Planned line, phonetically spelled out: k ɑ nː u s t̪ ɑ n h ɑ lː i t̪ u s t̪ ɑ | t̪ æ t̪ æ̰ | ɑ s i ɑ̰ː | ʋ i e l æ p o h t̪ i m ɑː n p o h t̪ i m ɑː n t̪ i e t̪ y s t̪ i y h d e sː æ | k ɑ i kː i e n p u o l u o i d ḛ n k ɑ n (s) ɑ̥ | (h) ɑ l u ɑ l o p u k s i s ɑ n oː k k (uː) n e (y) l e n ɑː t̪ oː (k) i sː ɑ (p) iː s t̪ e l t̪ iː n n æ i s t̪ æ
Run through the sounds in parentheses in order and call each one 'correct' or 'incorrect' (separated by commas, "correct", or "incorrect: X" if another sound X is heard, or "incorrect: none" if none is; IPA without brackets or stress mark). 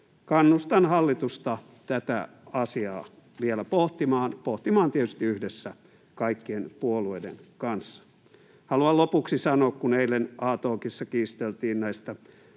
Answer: incorrect: sː, correct, incorrect: u, incorrect: i, correct, incorrect: k